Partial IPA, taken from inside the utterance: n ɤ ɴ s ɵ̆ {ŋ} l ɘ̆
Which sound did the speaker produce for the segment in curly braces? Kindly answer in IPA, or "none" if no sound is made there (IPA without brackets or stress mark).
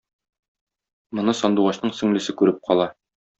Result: ŋ